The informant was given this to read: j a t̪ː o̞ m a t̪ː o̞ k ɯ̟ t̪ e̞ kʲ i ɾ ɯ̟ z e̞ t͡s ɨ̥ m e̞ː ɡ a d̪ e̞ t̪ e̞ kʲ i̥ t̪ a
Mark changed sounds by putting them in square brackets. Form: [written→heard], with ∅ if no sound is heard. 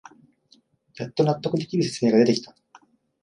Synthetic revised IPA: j a t̪ː o̞ [m→n] a t̪ː o̞ k ɯ̟ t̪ e̞ kʲ i ɾ ɯ̟ [z→s] e̞ t͡s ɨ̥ m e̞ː ɡ a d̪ e̞ t̪ e̞ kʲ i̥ t̪ a

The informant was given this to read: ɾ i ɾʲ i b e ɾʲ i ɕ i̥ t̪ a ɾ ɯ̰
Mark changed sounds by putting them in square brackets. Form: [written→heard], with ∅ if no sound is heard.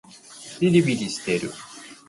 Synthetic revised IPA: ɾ i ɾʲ i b [e→i] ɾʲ i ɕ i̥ t̪ [a→e] ɾ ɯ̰

